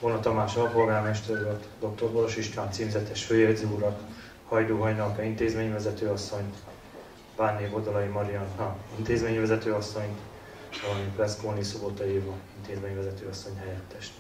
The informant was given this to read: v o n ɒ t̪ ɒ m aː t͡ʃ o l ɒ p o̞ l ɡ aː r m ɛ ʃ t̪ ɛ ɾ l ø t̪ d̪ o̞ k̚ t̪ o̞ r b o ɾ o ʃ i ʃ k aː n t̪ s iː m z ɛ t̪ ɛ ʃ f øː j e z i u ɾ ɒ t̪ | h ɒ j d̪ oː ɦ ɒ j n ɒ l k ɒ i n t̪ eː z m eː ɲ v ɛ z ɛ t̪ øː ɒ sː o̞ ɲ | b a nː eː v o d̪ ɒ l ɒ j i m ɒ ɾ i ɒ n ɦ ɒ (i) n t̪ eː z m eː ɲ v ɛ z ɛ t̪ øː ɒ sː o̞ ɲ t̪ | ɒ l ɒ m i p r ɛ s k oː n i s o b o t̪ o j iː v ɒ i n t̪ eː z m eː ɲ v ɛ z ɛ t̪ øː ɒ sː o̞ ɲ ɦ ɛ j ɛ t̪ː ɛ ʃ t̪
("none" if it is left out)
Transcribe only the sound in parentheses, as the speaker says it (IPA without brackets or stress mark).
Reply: i